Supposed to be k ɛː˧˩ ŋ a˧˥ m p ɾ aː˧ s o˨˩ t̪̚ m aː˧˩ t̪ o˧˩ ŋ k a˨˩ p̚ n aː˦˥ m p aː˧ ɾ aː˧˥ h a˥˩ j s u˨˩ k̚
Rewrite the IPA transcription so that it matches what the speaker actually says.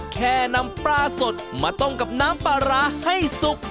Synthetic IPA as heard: kʰ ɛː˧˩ n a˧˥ m p ɾ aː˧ s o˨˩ t̪̚ m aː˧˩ t̪ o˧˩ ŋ k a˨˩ p̚ n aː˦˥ m p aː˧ ɾ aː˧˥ h a˥˩ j s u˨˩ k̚